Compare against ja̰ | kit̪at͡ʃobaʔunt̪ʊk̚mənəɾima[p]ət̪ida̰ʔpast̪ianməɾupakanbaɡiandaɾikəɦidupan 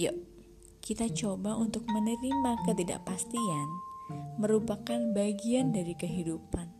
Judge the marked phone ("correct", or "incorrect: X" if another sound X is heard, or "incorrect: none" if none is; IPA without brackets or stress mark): incorrect: k